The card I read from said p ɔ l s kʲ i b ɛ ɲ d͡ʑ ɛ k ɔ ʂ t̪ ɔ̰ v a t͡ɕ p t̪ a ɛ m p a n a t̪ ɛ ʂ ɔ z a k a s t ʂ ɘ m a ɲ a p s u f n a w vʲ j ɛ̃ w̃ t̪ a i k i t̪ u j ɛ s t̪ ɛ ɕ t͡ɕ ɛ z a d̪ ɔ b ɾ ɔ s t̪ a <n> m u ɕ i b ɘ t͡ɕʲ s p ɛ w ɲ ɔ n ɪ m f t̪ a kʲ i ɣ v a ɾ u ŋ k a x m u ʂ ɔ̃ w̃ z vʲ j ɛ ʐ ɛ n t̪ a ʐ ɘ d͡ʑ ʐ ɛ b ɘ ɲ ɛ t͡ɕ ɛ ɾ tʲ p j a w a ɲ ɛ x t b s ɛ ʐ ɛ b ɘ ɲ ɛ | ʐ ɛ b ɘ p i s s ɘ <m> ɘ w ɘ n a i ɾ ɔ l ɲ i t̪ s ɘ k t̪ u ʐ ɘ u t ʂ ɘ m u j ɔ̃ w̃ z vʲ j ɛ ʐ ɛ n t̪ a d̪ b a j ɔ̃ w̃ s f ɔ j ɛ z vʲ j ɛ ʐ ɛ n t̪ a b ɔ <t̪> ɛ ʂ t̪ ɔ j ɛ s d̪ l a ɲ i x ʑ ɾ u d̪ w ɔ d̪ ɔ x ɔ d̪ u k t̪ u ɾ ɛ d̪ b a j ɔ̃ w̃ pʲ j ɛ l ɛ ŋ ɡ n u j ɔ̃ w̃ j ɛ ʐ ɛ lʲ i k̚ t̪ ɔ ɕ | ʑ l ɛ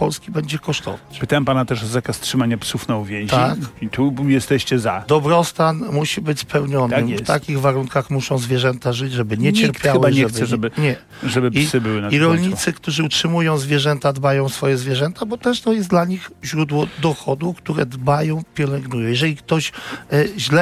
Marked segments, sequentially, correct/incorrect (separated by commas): correct, incorrect, correct